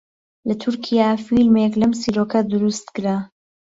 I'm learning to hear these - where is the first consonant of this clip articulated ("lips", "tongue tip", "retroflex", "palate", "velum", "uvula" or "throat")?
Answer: tongue tip